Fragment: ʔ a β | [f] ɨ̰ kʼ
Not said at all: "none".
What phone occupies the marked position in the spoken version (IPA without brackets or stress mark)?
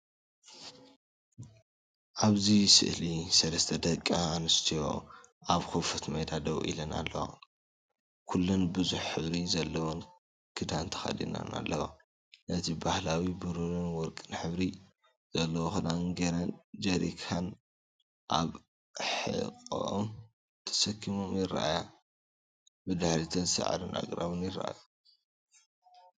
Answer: ħ